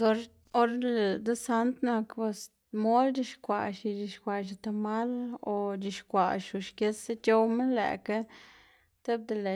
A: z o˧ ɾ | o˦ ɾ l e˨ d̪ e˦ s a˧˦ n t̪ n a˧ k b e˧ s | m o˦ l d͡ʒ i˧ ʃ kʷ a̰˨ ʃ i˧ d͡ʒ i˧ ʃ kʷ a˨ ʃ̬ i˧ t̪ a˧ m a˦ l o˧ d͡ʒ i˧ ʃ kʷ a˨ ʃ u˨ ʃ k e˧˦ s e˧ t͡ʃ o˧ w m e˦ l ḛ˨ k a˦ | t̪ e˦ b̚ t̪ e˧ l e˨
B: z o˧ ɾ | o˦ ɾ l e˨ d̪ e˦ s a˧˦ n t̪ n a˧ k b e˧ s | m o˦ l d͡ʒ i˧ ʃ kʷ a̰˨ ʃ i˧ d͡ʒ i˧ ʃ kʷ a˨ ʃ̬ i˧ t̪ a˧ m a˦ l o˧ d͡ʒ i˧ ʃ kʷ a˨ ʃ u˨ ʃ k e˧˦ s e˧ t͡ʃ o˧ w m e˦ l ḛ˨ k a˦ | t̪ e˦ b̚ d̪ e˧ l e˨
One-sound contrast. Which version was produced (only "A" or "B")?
B